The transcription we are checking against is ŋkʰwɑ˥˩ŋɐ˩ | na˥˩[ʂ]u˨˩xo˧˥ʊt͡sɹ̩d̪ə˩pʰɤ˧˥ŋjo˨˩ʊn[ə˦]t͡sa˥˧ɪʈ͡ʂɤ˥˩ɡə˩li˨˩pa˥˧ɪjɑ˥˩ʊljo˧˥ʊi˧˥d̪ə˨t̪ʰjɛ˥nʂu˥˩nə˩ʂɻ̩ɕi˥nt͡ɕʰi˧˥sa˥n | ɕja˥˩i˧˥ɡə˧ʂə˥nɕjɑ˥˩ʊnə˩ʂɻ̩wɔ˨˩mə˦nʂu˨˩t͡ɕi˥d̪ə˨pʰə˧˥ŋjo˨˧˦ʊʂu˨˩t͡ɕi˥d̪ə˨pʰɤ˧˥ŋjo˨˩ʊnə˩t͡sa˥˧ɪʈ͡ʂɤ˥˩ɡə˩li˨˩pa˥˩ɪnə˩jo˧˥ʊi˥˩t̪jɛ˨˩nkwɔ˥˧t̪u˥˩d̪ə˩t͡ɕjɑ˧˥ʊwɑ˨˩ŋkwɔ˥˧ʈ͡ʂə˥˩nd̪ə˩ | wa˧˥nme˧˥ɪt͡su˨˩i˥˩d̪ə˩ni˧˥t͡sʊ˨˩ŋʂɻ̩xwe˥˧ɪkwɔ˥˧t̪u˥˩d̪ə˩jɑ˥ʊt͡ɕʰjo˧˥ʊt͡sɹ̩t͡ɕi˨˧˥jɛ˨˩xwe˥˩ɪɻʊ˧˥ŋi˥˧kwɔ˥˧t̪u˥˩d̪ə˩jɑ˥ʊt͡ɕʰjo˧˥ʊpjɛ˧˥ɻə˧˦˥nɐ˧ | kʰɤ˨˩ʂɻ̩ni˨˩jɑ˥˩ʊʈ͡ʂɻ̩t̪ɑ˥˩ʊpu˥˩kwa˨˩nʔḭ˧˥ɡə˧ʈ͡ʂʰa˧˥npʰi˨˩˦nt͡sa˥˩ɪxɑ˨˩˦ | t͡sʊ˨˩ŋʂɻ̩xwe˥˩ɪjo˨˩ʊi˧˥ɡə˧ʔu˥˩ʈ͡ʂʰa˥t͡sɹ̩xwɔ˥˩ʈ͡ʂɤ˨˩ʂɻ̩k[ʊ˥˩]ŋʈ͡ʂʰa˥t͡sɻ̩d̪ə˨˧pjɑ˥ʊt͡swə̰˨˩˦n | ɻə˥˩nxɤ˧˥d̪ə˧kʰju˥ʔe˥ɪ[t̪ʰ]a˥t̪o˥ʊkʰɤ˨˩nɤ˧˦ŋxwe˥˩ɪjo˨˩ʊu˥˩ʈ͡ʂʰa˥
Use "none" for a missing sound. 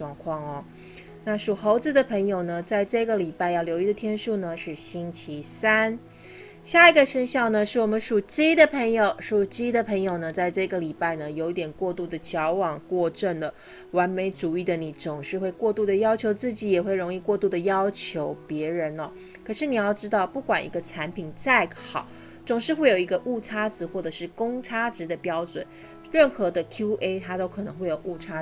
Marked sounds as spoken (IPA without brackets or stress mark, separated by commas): ʂ, ə˩, ʊ˥, t̪ʰ